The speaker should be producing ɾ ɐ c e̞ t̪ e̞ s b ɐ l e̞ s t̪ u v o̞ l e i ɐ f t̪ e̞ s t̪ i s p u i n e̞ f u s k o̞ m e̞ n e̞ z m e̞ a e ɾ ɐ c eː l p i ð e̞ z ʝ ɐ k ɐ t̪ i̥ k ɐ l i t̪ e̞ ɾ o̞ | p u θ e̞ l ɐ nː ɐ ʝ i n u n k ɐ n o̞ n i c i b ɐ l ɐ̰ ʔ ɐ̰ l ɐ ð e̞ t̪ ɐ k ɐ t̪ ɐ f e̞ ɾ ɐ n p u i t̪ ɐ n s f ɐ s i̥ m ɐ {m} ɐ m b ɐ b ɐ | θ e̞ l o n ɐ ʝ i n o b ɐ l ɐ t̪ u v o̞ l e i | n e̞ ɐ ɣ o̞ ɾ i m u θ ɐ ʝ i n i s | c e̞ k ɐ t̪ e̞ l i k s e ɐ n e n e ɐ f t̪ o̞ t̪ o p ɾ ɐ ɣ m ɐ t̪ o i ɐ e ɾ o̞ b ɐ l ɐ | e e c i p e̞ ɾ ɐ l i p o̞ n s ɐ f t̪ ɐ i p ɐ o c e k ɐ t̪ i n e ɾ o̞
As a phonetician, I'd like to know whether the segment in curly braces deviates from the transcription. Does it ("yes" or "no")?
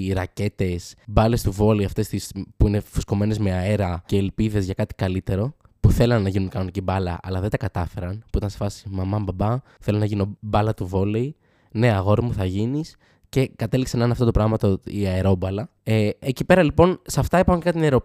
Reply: no